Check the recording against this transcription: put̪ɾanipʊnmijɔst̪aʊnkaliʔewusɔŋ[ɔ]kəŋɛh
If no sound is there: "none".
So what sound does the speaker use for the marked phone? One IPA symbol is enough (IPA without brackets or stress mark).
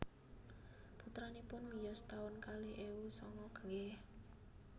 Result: ɔ